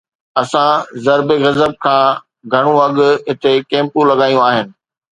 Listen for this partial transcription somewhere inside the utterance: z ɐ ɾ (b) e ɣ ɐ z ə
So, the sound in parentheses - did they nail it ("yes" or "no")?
yes